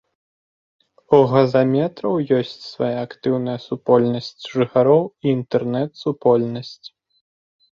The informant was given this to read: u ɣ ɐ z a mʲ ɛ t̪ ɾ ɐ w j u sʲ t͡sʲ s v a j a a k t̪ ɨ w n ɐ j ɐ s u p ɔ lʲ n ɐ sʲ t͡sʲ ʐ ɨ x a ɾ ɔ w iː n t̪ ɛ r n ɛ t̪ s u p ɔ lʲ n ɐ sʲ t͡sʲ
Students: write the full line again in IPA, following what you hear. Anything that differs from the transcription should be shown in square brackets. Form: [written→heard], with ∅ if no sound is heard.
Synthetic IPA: u ɣ ɐ z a mʲ ɛ t̪ ɾ ɐ w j [u→ɔ] sʲ t͡sʲ s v a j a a k t̪ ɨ w n ɐ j ɐ s u p ɔ lʲ n ɐ sʲ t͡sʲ ʐ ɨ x a ɾ ɔ w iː n t̪ ɛ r n ɛ t̪ s u p ɔ lʲ n ɐ sʲ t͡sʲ

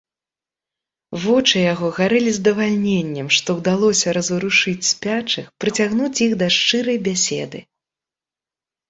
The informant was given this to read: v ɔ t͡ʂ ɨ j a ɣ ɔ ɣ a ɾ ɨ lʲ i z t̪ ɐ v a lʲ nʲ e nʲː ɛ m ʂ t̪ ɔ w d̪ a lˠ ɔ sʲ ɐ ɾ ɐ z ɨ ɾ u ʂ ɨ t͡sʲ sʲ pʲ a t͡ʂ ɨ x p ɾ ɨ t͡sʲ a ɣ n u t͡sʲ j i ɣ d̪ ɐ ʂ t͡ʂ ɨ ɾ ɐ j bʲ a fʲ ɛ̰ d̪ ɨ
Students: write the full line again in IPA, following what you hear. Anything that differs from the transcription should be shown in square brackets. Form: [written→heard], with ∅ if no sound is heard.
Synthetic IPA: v ɔ t͡ʂ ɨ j a ɣ ɔ ɣ a ɾ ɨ lʲ i z [t̪→d̪] ɐ v a lʲ nʲ e nʲː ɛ m ʂ t̪ ɔ w d̪ a lˠ ɔ sʲ ɐ ɾ ɐ z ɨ ɾ u ʂ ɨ t͡sʲ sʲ pʲ a t͡ʂ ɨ x p ɾ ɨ t͡sʲ a ɣ n u t͡sʲ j i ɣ d̪ ɐ ʂ t͡ʂ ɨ ɾ ɐ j bʲ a [fʲ→sʲ] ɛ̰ d̪ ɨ

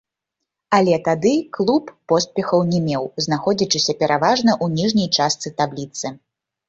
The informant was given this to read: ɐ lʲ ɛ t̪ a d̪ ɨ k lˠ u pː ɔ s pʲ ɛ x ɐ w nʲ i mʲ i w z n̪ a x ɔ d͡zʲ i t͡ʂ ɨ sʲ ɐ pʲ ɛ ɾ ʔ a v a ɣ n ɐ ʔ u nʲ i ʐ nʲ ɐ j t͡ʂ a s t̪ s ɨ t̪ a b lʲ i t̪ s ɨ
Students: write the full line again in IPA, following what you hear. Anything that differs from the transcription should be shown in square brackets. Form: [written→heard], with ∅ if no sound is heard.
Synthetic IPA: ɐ lʲ ɛ t̪ a d̪ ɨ k lˠ u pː ɔ s pʲ ɛ x ɐ w nʲ [i→ɛ] mʲ [i→ɛ] w z n̪ a x ɔ d͡zʲ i t͡ʂ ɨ sʲ ɐ pʲ ɛ ɾ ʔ a v a [ɣ→ʐ] n ɐ ʔ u nʲ i ʐ nʲ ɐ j t͡ʂ a s t̪ s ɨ t̪ a b lʲ i t̪ s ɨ

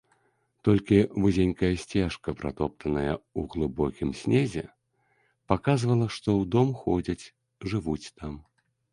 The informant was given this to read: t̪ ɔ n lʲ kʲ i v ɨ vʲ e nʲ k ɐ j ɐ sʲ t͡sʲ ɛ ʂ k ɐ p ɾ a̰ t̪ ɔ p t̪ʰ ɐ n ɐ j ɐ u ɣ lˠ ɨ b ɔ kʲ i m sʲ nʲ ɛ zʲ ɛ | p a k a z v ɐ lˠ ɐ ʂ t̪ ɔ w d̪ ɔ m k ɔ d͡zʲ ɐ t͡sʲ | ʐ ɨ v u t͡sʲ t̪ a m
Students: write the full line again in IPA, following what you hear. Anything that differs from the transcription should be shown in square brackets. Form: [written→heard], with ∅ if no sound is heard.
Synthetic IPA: t̪ ɔ [n→∅] lʲ kʲ i v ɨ [vʲ→zʲ] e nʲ k ɐ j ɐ sʲ t͡sʲ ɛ ʂ k ɐ p ɾ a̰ t̪ ɔ p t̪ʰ ɐ n ɐ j ɐ u ɣ lˠ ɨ b ɔ kʲ i m sʲ nʲ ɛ zʲ ɛ | p a k a z v ɐ lˠ ɐ ʂ t̪ ɔ w d̪ ɔ m [k→x] ɔ d͡zʲ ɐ t͡sʲ | ʐ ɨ v u t͡sʲ t̪ a m

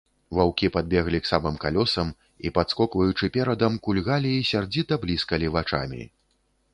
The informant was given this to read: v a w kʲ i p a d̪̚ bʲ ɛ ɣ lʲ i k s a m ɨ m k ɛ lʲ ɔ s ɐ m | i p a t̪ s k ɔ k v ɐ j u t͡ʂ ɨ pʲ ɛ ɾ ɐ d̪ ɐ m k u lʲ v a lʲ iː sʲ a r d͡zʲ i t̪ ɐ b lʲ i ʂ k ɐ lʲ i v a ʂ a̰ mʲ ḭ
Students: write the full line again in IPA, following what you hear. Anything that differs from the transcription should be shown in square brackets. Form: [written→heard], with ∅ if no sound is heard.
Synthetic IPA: v a w kʲ i p a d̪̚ bʲ ɛ ɣ lʲ i k s a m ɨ m k [ɛ→a] lʲ ɔ s ɐ m | i p a t̪ s k ɔ k v ɐ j u t͡ʂ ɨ pʲ ɛ ɾ ɐ d̪ ɐ m k u lʲ [v→ɣ] a lʲ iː sʲ a r d͡zʲ i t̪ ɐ b lʲ i [ʂ→s] k ɐ lʲ i v a [ʂ→t͡ʂ] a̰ mʲ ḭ

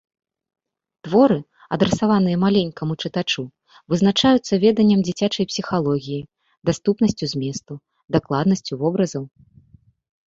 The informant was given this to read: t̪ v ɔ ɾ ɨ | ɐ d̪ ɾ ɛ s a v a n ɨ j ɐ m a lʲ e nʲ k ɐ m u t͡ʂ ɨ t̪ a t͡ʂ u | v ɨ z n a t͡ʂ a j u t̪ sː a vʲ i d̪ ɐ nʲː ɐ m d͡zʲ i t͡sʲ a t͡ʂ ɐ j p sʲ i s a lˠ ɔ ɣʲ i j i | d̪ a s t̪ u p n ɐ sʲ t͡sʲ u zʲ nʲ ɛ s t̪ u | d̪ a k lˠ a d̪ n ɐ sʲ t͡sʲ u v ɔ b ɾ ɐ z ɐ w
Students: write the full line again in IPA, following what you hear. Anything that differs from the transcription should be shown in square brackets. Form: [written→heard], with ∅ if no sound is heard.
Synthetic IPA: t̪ v ɔ ɾ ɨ | ɐ d̪ ɾ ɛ s a v a n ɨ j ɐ m a lʲ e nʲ k ɐ m u t͡ʂ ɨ t̪ a t͡ʂ u | v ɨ z n a t͡ʂ a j u t̪ sː [a→ɐ] vʲ [i→ɛ] d̪ ɐ nʲː ɐ m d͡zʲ i t͡sʲ a t͡ʂ ɐ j p sʲ i [s→x] a lˠ ɔ ɣʲ i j i | d̪ a s t̪ u p n ɐ sʲ t͡sʲ u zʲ [nʲ→mʲ] ɛ s t̪ u | d̪ a k lˠ a d̪ n ɐ sʲ t͡sʲ u v ɔ b ɾ ɐ z ɐ w

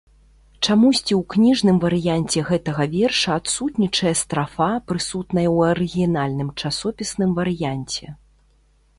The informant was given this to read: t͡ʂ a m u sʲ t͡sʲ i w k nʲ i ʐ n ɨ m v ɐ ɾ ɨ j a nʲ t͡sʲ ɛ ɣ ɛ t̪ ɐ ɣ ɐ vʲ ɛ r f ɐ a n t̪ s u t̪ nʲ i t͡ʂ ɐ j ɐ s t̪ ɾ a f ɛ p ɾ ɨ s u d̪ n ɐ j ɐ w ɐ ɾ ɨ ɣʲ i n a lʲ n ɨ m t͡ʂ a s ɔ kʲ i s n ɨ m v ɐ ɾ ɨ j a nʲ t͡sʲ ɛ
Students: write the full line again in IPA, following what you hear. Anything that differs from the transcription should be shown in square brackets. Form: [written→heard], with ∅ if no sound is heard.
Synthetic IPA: t͡ʂ a m u sʲ t͡sʲ i w k nʲ i ʐ n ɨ m v ɐ ɾ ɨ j a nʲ t͡sʲ ɛ ɣ ɛ t̪ ɐ ɣ ɐ vʲ ɛ r [f→ʂ] ɐ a [n→∅] t̪ s u t̪ nʲ i t͡ʂ ɐ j ɐ s t̪ ɾ a f [ɛ→a] p ɾ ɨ s u [d̪→t̪] n ɐ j ɐ w ɐ ɾ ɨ ɣʲ i n a lʲ n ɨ m t͡ʂ a s ɔ [kʲ→pʲ] i s n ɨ m v ɐ ɾ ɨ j a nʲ t͡sʲ ɛ

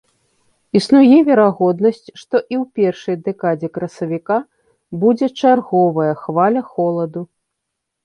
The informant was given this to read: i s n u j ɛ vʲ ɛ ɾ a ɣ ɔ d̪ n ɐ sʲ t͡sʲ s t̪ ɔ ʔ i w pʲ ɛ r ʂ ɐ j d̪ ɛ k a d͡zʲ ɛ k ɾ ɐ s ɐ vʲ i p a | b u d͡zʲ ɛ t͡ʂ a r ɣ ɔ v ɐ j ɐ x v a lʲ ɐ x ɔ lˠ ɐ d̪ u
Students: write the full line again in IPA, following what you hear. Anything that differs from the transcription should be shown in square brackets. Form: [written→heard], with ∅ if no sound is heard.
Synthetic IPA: i s n u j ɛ vʲ ɛ ɾ a ɣ ɔ d̪ n ɐ sʲ t͡sʲ [s→ʂ] t̪ ɔ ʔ i w pʲ ɛ r ʂ ɐ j d̪ ɛ k a d͡zʲ ɛ k ɾ ɐ s ɐ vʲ i [p→k] a | b u d͡zʲ ɛ t͡ʂ a r ɣ ɔ v ɐ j ɐ x v a lʲ ɐ x ɔ lˠ ɐ d̪ u

